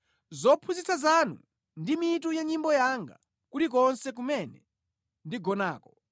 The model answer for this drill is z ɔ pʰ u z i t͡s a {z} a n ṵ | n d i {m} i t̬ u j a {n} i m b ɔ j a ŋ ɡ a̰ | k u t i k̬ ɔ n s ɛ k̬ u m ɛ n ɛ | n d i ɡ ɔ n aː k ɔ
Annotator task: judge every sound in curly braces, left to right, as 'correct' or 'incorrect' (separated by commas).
correct, correct, incorrect